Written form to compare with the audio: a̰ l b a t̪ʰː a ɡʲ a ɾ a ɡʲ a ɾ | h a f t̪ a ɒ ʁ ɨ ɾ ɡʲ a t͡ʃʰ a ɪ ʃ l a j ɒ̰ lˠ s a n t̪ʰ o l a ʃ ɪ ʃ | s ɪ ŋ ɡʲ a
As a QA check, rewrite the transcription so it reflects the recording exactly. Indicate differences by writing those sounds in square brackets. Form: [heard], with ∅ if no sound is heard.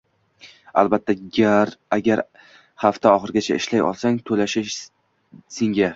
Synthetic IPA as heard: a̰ l b a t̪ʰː a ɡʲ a ɾ a ɡʲ a ɾ | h a f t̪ a ɒ [χ] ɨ ɾ ɡʲ a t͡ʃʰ a ɪ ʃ l a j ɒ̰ lˠ s a [ŋ] t̪ʰ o l a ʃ ɪ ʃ | s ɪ ŋ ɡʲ a